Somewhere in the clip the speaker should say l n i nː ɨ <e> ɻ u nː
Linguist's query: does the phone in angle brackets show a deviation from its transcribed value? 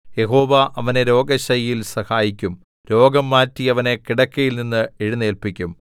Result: no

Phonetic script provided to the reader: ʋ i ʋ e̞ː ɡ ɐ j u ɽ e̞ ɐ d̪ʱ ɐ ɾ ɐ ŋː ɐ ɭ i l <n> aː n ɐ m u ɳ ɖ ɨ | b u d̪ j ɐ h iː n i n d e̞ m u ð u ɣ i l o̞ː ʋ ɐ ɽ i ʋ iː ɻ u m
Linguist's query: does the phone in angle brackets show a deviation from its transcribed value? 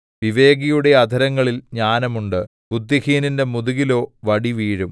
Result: yes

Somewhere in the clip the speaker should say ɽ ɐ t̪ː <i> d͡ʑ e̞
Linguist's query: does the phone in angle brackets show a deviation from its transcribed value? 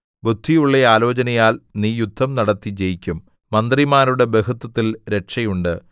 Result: no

